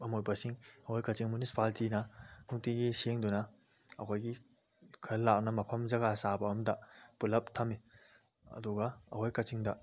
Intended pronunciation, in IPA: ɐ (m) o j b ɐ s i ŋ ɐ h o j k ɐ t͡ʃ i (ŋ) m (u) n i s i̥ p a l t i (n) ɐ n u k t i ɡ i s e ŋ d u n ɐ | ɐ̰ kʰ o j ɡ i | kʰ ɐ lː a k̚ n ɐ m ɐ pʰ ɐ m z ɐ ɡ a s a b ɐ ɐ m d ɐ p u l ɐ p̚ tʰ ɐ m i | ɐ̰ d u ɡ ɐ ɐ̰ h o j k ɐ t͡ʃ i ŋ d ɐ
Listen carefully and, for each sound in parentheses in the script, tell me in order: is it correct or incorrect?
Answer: correct, correct, correct, correct

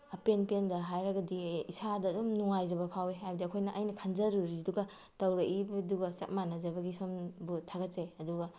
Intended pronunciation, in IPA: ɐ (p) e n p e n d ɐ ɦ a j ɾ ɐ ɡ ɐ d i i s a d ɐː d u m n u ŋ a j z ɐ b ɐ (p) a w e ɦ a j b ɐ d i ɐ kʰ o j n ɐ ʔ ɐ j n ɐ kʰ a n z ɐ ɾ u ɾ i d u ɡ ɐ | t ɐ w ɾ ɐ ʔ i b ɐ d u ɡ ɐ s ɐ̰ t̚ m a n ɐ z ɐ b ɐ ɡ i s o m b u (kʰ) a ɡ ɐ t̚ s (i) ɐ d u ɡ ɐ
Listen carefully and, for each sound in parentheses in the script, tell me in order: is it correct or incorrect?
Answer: correct, incorrect, incorrect, incorrect

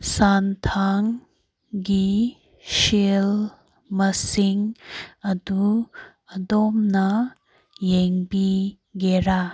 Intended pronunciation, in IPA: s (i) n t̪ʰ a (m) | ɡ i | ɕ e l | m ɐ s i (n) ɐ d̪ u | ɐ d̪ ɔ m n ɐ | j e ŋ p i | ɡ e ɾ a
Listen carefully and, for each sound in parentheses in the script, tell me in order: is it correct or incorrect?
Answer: incorrect, incorrect, incorrect

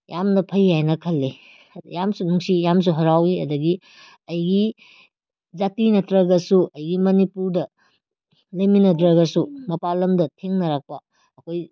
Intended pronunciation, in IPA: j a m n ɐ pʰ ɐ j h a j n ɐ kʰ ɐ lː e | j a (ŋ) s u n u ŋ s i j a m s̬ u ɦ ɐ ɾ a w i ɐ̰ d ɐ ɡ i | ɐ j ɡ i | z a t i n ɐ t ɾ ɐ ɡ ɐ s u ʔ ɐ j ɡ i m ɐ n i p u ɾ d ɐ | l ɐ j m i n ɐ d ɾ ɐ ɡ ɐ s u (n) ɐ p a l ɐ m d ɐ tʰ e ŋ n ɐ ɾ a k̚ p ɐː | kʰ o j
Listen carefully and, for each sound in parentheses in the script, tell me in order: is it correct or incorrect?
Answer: incorrect, incorrect

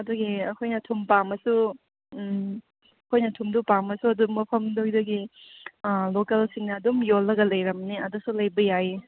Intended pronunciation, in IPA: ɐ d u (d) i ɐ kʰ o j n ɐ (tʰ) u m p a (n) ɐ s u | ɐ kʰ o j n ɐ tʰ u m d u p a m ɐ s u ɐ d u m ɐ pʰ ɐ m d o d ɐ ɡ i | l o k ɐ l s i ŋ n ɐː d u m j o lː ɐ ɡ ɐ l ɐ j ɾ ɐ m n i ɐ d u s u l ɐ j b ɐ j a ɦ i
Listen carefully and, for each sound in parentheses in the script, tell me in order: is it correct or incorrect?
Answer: incorrect, correct, incorrect

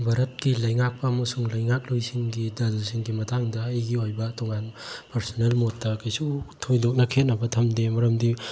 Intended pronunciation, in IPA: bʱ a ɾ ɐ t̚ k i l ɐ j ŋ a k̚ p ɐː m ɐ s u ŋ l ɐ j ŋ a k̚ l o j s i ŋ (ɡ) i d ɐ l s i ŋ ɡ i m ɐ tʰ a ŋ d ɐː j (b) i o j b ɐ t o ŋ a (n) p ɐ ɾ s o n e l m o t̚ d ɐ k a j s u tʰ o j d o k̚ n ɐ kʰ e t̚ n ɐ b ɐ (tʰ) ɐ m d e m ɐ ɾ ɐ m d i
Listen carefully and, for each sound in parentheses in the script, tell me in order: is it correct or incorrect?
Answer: correct, incorrect, correct, correct

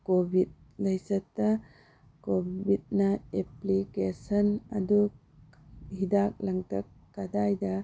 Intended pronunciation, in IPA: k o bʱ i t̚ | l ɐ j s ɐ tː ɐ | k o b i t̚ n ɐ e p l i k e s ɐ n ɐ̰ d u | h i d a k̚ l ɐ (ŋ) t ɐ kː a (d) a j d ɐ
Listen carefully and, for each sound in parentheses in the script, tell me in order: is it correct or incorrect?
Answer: correct, correct

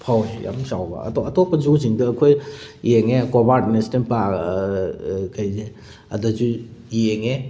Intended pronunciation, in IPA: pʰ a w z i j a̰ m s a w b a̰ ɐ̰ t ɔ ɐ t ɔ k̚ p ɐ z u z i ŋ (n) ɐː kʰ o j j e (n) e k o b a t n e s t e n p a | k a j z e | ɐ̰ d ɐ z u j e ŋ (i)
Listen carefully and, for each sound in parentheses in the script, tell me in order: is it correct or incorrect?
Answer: incorrect, incorrect, incorrect

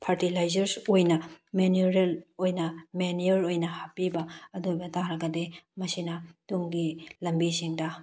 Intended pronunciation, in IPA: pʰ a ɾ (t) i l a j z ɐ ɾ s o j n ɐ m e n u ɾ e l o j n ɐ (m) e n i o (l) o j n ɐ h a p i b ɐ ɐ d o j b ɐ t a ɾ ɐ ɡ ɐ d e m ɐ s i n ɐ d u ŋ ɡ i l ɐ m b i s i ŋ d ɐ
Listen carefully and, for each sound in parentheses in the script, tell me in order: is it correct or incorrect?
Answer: correct, correct, incorrect

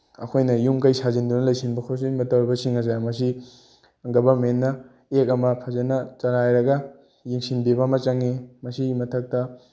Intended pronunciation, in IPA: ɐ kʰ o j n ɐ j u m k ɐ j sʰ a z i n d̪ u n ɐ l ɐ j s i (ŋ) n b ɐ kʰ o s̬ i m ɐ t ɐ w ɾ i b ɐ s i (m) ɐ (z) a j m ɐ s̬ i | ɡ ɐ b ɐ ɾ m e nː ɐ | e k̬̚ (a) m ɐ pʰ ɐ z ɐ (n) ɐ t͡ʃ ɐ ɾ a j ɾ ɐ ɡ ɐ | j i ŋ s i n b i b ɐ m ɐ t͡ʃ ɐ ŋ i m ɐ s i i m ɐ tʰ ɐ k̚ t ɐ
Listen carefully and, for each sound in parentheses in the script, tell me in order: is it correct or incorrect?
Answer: incorrect, incorrect, correct, incorrect, correct

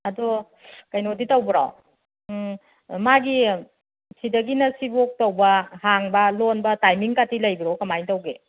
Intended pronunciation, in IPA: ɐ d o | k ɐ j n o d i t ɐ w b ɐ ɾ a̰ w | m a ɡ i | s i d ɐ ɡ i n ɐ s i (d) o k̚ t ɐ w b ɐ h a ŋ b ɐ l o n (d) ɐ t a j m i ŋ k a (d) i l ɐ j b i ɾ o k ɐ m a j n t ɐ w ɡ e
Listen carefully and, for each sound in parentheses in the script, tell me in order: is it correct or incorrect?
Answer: incorrect, incorrect, incorrect

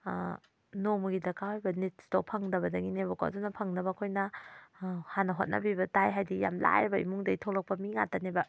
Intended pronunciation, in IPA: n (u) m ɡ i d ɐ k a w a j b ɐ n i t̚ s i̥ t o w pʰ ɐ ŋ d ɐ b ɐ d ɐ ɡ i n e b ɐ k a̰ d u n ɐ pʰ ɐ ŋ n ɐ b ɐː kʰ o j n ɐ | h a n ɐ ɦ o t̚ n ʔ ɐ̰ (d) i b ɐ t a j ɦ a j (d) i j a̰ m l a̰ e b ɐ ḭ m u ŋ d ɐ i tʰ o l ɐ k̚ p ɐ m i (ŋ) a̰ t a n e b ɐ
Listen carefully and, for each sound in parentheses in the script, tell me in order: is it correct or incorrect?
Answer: incorrect, incorrect, correct, correct

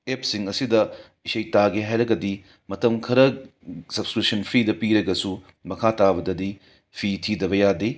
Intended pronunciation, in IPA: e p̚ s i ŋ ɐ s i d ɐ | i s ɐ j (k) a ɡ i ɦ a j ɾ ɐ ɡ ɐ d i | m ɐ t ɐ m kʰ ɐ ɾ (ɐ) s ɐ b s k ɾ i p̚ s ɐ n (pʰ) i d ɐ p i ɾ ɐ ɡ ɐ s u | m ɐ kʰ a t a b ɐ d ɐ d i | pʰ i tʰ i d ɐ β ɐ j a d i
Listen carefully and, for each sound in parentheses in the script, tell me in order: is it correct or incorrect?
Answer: incorrect, correct, correct

